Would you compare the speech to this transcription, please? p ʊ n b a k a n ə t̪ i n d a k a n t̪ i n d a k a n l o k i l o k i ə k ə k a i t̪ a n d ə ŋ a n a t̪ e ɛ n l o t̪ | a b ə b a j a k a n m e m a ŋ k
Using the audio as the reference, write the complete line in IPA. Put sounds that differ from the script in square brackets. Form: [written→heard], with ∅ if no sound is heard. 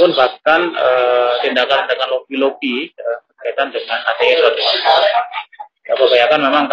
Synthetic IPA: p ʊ n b a k a n ə t̪ i n d a k a n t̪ i n d a k a n l o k i l o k i ə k ə k a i t̪ a n d ə ŋ a n a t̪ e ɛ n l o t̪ | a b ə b a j a k a n m e m a ŋ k